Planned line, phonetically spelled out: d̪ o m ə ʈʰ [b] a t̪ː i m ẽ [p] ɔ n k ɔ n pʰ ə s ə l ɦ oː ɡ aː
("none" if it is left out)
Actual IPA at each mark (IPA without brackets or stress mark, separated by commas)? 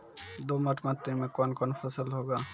m, k